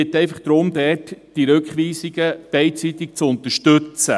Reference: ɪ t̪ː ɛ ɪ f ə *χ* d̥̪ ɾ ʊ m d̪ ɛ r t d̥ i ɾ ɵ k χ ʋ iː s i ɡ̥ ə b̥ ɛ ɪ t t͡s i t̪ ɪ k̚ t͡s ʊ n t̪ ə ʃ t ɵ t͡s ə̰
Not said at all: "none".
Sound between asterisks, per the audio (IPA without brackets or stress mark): χ